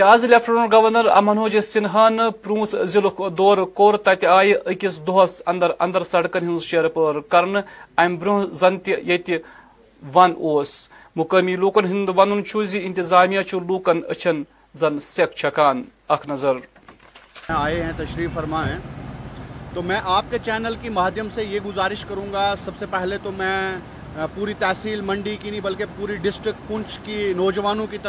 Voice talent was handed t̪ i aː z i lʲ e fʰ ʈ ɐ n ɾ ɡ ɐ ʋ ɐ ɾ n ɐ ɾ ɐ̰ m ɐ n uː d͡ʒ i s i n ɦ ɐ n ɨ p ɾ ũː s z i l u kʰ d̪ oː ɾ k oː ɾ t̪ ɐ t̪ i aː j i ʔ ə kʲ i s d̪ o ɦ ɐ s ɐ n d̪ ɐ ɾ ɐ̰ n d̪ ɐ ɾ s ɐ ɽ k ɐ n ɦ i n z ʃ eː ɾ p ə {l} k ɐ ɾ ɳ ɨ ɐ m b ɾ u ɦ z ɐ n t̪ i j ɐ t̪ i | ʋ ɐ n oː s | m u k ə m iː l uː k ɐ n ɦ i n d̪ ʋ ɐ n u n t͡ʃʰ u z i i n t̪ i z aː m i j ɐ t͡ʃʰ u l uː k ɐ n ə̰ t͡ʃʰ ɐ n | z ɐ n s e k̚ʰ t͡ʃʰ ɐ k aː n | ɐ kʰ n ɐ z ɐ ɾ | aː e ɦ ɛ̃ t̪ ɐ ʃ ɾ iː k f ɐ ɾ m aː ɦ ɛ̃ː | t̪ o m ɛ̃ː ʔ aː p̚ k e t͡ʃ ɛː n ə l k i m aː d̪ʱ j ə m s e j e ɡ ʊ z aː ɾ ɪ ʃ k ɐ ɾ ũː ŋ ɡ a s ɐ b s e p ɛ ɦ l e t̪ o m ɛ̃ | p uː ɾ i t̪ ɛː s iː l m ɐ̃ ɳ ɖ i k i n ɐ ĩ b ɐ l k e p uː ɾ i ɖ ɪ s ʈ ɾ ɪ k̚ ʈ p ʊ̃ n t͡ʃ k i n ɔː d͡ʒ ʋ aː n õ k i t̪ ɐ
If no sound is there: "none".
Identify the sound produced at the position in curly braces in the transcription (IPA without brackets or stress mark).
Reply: ɾ